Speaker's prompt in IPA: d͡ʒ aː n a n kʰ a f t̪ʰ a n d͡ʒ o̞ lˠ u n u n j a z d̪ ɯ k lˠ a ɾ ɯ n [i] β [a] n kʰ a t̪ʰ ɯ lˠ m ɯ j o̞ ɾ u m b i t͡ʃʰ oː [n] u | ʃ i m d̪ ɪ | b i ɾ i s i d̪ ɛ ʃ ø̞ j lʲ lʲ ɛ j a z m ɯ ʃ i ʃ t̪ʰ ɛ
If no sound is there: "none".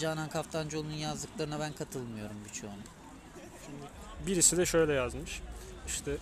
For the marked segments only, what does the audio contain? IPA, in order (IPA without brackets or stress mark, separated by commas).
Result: a, æ, n